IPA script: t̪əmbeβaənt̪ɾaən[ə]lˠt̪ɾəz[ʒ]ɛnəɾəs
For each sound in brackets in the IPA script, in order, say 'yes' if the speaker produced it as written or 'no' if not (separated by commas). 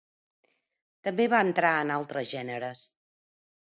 no, yes